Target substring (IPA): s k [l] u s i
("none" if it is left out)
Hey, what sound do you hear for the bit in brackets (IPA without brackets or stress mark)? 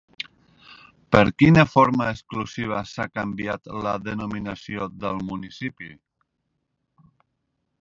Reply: l